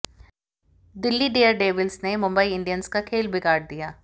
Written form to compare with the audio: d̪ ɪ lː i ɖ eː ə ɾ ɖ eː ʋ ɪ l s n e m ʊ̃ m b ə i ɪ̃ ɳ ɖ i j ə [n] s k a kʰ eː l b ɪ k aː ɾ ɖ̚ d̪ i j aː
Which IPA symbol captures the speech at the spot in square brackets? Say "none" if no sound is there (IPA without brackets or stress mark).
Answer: n